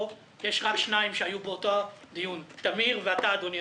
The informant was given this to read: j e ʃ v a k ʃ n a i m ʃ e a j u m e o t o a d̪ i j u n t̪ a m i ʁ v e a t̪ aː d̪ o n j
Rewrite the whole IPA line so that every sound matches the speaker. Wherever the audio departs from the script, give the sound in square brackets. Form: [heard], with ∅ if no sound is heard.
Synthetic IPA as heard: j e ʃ [ʁ] a k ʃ n a i m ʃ e a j u [b] e o t o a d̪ i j u n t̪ a m i ʁ v e a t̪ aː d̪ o n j